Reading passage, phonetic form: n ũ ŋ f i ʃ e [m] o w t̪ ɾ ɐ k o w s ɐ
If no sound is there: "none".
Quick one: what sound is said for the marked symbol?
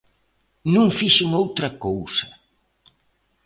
ŋ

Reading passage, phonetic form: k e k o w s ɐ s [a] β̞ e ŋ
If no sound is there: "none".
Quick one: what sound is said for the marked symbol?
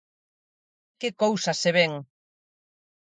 e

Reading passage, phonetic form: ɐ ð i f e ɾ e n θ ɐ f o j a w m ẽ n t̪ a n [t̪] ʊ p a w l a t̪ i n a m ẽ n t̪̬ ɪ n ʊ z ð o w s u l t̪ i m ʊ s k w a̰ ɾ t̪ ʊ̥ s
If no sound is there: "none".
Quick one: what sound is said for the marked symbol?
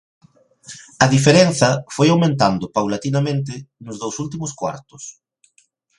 d̪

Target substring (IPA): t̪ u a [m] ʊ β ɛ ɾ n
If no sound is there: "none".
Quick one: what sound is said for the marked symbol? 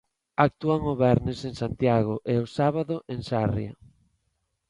ŋ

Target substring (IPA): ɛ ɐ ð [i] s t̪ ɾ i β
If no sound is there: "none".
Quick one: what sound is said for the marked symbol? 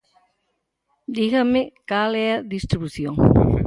i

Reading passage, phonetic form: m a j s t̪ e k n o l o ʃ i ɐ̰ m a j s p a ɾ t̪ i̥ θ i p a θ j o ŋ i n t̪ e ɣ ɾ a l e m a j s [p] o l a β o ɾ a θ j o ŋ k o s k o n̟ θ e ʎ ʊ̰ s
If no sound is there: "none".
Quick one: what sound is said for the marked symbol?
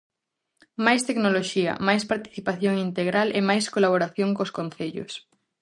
k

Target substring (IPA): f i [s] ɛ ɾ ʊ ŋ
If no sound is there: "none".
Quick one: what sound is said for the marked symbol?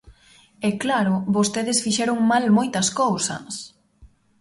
ʃ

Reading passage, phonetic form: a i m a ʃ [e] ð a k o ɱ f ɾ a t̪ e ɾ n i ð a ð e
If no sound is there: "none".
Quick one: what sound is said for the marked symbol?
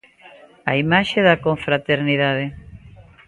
e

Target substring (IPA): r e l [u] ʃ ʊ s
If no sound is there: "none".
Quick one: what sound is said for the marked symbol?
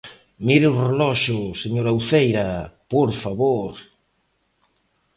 ɔ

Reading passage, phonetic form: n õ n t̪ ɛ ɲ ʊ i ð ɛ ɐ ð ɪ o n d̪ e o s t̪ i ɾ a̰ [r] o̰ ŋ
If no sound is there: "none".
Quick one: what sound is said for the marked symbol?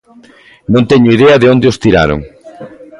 ɾ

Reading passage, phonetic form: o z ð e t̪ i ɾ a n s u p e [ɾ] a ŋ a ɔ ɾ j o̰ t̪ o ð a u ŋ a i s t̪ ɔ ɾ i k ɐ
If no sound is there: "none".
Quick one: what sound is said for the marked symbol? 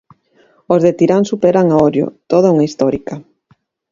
ɾ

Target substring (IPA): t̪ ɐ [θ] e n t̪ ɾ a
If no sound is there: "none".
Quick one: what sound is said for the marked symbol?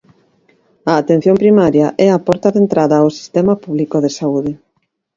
ð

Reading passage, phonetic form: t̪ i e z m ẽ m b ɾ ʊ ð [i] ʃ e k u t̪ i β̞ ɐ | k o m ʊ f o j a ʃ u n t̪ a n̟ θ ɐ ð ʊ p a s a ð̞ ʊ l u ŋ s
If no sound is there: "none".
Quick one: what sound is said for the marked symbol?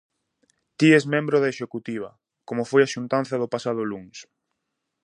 e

